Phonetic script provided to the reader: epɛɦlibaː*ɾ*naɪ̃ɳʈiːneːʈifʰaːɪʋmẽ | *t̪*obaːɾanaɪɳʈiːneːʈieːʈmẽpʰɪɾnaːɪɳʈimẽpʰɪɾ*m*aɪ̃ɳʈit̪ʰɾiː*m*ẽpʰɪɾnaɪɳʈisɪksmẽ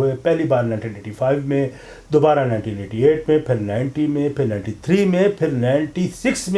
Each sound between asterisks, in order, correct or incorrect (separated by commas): correct, incorrect, incorrect, correct